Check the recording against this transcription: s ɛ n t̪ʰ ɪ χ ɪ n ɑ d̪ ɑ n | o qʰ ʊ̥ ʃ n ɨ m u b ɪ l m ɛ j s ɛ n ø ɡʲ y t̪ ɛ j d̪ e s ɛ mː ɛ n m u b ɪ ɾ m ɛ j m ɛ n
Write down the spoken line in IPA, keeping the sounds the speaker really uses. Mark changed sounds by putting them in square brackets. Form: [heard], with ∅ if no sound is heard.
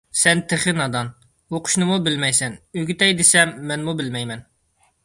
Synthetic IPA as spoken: s ɛ n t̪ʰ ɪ χ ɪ n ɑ d̪ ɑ n | o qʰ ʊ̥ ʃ n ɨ m u b ɪ l m ɛ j s ɛ n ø ɡʲ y t̪ ɛ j d̪ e s ɛ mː ɛ n m u b ɪ [l] m ɛ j m ɛ n